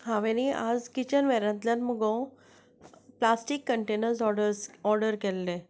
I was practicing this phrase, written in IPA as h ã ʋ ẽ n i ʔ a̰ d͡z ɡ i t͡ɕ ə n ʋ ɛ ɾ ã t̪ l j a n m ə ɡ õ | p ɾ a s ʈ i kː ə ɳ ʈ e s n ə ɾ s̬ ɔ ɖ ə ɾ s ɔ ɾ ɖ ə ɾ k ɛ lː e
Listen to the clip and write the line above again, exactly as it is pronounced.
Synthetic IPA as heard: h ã ʋ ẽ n i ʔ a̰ d͡z k i t͡ɕ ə n ʋ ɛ ɾ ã t̪ l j a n m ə ɡ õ | p l a s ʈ i kː ə ɳ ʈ e n ə ɾ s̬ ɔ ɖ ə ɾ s ɔ ɾ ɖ ə ɾ k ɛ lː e